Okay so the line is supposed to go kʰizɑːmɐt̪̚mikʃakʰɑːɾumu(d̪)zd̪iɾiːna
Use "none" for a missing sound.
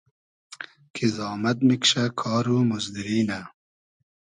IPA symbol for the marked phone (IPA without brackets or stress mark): none